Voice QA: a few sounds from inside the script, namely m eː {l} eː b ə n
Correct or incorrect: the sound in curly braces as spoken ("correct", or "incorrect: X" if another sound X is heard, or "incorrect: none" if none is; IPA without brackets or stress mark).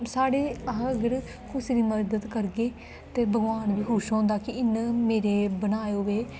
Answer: incorrect: ɾ